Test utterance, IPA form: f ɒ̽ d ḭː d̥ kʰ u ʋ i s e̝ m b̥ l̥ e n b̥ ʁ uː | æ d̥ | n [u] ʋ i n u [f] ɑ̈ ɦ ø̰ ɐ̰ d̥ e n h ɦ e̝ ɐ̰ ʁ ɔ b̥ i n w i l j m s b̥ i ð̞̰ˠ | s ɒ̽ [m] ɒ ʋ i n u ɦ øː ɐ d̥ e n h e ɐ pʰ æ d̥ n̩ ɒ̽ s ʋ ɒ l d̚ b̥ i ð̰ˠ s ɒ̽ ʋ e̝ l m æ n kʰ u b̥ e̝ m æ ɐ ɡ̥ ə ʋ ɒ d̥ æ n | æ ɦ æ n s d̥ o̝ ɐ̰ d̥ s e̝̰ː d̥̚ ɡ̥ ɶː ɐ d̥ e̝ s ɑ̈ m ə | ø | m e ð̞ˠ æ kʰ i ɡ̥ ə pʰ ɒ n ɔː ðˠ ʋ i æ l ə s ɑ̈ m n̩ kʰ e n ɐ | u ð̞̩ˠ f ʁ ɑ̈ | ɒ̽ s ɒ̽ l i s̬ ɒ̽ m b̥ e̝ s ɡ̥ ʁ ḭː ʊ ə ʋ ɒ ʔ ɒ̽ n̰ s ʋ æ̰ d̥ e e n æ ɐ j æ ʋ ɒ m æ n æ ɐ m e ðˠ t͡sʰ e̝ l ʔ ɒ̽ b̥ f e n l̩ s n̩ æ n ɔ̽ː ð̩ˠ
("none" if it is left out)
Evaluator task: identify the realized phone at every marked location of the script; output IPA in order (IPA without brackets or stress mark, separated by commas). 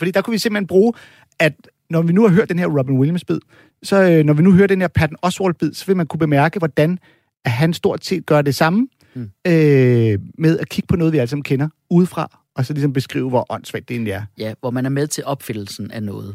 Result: ɒ, h, n